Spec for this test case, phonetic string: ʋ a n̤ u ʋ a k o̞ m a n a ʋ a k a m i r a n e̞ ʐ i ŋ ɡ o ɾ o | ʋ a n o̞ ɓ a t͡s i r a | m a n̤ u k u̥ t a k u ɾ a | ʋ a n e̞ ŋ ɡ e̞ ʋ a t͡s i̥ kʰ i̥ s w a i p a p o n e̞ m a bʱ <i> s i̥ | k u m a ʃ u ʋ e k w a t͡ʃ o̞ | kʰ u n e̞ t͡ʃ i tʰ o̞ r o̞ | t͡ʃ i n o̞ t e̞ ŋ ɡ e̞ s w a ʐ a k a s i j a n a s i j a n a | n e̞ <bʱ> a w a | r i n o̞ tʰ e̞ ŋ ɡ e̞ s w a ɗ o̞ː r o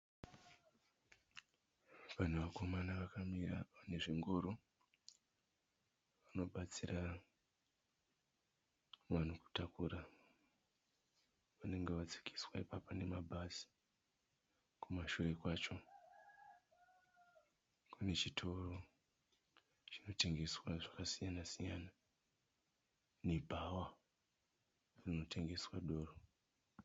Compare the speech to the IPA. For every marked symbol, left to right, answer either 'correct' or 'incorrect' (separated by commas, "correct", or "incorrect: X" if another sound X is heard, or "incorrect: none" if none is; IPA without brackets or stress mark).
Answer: incorrect: a, correct